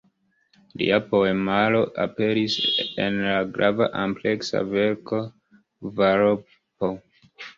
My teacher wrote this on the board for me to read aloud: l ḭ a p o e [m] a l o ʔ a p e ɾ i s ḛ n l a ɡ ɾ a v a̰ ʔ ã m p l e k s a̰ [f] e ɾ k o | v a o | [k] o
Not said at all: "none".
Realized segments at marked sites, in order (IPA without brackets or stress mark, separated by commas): m, v, p